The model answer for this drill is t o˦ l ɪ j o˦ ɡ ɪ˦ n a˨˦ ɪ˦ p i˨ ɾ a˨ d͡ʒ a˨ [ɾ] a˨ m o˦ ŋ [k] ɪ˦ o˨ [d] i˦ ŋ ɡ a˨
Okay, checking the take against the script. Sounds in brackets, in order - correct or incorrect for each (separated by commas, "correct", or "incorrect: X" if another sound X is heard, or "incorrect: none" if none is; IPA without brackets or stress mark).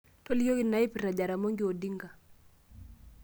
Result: correct, incorrect: ɡ, correct